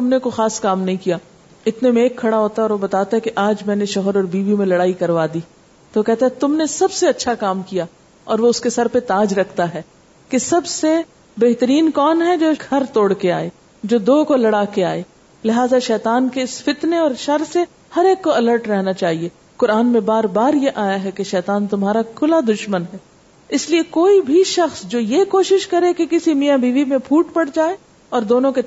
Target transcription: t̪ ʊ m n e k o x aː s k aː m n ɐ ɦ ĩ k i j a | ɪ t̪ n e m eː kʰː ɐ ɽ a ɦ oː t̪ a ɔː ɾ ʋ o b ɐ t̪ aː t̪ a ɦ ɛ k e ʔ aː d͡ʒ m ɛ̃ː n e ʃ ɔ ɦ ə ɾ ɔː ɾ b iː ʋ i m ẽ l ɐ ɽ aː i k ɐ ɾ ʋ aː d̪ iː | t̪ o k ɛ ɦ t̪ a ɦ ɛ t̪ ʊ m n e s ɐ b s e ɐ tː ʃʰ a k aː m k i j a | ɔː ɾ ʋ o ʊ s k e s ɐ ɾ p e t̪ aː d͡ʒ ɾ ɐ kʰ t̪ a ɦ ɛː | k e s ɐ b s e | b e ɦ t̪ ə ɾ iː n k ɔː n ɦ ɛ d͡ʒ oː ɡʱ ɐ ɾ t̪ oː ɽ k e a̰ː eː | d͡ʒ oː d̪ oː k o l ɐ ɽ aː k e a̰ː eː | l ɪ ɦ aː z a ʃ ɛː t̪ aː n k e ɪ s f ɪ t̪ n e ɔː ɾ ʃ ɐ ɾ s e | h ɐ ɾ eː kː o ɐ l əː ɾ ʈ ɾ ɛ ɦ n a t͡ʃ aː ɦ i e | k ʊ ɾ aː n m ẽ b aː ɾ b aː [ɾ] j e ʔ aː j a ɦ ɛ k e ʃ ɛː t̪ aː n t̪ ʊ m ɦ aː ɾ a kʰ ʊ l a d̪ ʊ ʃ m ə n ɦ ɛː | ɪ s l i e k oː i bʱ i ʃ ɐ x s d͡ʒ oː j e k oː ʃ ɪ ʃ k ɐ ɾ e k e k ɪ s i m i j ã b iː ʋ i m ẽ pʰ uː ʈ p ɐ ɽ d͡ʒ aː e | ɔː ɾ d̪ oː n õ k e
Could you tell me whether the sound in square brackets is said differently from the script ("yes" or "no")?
no